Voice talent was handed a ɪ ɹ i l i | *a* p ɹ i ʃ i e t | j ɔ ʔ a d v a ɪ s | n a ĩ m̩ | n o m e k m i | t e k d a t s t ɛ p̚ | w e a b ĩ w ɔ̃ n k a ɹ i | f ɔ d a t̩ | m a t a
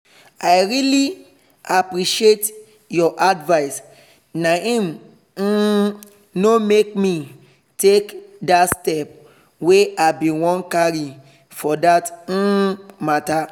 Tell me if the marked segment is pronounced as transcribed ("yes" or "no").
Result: yes